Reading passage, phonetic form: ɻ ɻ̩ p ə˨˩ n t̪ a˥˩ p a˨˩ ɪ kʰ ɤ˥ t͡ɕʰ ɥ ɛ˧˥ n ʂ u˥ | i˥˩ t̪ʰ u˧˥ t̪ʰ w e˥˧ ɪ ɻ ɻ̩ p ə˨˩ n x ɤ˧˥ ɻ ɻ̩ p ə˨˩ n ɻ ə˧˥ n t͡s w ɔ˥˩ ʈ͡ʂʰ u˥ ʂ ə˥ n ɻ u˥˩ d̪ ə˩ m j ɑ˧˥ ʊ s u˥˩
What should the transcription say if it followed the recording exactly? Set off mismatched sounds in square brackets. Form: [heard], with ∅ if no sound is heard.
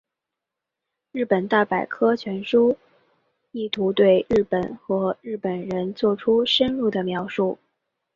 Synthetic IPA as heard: ɻ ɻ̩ p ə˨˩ n t̪ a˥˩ p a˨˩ ɪ kʰ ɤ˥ t͡ɕʰ ɥ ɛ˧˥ n ʂ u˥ | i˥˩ t̪ʰ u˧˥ [t̪] w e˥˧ ɪ ɻ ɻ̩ p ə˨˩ n x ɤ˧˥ ɻ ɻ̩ p ə˨˩ n ɻ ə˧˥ n t͡s w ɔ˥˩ ʈ͡ʂʰ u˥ ʂ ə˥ n ɻ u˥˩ d̪ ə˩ m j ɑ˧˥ ʊ [ʂ] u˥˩